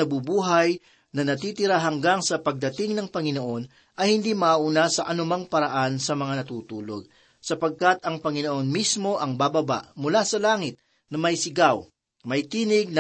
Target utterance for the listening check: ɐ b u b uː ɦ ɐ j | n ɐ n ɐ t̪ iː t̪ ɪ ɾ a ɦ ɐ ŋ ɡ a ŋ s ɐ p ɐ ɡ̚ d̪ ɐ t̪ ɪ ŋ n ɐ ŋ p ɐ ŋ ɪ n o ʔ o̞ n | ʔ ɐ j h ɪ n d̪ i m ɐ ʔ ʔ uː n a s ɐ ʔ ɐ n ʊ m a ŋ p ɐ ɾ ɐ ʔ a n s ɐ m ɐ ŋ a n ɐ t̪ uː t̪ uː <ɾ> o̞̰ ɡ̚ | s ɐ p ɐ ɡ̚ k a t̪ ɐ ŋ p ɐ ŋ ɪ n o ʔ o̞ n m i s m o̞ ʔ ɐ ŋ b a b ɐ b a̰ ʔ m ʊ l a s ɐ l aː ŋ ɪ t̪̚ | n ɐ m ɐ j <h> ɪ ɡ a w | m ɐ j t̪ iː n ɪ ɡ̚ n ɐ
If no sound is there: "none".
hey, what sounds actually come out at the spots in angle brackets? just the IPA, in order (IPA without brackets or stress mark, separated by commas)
l, s